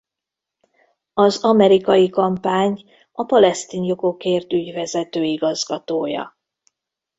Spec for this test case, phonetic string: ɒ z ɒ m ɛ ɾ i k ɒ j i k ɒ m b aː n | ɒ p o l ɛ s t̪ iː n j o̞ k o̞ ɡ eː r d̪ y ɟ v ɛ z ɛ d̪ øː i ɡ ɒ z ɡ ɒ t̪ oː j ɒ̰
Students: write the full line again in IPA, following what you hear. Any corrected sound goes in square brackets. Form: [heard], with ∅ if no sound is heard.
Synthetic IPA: ɒ z ɒ m ɛ ɾ i k ɒ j i k ɒ m [p] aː [ɲ] | ɒ p [ɒ] l ɛ s t̪ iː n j o̞ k o̞ [k] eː r [t̪] y ɟ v ɛ z ɛ [t̪] øː i ɡ ɒ z ɡ ɒ t̪ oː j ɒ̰